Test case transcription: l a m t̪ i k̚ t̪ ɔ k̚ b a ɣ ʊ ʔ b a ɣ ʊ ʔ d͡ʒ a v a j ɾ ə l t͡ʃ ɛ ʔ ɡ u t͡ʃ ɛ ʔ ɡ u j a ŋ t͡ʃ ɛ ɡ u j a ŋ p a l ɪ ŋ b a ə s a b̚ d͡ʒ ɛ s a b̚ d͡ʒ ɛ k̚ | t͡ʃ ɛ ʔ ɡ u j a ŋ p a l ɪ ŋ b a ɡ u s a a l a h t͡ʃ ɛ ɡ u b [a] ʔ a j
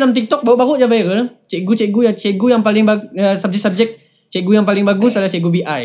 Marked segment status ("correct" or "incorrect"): incorrect